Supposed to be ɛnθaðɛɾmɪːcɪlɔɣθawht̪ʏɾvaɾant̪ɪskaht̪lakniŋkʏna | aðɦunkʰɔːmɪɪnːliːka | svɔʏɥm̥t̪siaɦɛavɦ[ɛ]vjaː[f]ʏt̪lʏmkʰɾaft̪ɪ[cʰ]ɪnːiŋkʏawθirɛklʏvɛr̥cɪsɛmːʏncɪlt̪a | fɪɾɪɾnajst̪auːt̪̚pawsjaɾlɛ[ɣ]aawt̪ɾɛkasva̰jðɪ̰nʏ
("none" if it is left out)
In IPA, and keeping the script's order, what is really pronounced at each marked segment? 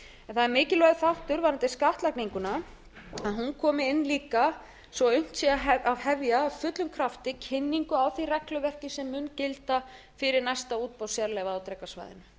ɛ, f, cʰ, v

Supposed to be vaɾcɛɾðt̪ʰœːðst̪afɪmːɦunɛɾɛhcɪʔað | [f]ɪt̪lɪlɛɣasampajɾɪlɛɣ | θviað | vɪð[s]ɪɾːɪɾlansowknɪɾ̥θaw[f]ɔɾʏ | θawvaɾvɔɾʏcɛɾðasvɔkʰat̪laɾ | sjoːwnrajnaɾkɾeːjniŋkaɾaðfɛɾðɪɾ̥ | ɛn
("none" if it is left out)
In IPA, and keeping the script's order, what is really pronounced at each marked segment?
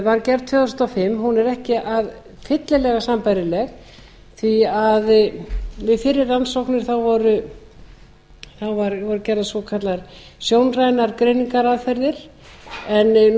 f, f, v

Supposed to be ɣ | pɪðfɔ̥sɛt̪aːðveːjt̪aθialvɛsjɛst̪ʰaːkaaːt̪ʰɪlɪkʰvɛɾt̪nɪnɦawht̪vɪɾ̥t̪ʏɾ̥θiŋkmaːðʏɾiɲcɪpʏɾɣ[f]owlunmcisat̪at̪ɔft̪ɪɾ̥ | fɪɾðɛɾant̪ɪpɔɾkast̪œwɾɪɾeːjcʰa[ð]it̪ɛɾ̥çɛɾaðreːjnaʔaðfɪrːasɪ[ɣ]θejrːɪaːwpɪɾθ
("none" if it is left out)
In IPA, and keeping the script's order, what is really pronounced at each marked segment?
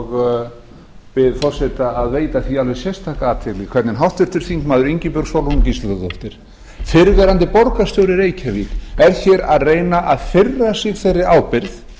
s, v, ɣ

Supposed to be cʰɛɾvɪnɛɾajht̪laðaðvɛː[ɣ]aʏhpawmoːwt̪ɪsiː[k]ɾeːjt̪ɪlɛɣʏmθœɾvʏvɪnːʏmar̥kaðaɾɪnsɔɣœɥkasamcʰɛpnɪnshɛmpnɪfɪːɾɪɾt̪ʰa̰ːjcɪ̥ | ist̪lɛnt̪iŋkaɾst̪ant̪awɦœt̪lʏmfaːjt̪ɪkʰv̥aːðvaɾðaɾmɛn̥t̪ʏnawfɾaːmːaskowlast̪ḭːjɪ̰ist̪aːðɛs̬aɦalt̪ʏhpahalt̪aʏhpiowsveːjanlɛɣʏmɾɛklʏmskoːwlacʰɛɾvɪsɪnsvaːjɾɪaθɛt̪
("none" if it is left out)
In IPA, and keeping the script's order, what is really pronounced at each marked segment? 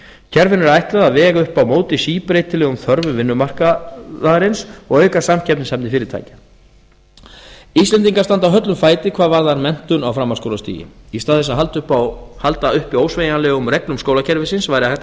ɣ, p

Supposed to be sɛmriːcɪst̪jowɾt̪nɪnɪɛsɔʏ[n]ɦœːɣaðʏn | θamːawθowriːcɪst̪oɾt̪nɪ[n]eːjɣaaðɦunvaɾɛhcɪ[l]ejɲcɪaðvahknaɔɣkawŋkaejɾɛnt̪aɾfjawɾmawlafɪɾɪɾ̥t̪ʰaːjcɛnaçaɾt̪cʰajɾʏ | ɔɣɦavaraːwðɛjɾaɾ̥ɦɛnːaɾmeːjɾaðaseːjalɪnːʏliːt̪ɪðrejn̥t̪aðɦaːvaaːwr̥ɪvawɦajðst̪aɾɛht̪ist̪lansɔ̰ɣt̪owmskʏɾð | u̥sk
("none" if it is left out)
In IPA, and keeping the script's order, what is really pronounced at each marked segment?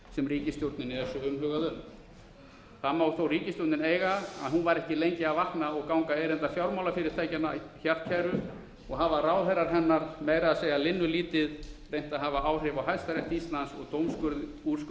m, n, l

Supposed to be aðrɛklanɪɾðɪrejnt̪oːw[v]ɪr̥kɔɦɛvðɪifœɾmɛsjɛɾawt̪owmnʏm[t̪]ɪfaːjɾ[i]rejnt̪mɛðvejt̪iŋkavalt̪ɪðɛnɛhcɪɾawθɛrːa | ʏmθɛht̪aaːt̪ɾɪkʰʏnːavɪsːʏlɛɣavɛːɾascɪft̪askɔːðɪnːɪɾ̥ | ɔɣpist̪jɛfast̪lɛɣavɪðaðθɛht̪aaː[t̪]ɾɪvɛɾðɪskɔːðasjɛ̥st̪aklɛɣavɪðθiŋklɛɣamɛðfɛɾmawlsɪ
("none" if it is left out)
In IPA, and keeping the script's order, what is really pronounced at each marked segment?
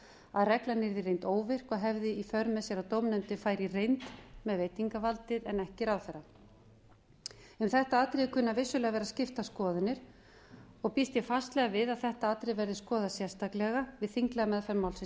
v, t̪, i, t̪

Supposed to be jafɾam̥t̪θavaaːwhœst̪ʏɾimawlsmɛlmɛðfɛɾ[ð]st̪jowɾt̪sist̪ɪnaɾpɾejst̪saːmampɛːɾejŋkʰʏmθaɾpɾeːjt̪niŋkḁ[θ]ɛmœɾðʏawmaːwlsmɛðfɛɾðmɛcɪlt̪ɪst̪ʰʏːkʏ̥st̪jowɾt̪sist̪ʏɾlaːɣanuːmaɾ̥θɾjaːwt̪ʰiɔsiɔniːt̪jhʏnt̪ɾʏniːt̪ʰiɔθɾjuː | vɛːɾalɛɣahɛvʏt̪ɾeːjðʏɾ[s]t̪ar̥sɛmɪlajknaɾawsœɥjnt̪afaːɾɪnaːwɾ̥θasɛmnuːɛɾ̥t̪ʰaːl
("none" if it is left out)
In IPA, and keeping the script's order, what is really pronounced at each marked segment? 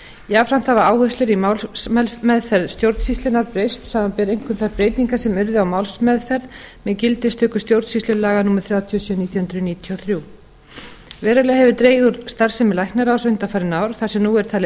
ð, s, s

